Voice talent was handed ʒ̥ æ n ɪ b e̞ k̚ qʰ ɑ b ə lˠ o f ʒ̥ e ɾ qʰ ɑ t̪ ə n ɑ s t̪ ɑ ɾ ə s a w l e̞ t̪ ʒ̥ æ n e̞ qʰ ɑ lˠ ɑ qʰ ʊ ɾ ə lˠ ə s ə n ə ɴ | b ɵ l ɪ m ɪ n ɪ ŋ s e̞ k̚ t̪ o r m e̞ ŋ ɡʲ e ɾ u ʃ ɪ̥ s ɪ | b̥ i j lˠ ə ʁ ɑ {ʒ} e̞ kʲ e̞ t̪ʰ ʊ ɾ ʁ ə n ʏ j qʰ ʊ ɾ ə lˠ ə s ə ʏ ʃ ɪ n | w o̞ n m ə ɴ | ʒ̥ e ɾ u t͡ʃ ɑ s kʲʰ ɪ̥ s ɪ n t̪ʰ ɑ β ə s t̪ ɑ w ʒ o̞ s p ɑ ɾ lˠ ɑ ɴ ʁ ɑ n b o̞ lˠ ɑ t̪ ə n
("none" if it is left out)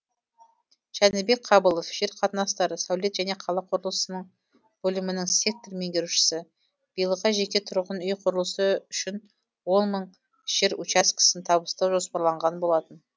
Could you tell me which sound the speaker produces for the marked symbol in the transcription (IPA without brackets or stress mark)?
ʒ